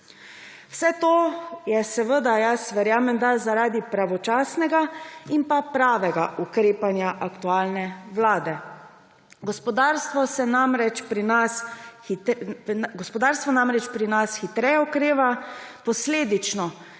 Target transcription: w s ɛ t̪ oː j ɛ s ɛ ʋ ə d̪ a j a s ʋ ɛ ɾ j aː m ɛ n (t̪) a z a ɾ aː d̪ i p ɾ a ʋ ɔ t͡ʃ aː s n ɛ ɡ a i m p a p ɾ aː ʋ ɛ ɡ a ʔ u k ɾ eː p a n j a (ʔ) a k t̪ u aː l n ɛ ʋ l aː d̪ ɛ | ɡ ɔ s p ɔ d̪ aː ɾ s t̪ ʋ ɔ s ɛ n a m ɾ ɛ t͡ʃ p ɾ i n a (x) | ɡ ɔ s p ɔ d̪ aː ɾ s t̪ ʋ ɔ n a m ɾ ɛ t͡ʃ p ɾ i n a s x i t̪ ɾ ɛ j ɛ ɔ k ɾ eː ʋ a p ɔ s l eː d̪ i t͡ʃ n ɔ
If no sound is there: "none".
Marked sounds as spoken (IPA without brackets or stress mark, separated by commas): d̪, ʔ, s